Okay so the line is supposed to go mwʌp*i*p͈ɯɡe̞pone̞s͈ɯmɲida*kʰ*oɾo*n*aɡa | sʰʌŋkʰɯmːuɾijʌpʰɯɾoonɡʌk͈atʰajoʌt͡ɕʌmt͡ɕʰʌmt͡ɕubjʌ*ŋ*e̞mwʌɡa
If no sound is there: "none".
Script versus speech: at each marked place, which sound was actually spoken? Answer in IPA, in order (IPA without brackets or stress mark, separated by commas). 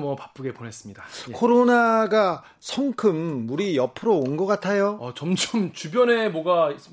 a, kʰ, n, n